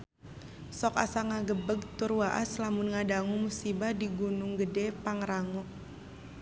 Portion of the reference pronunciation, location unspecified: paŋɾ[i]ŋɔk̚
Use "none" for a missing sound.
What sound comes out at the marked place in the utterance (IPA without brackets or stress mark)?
a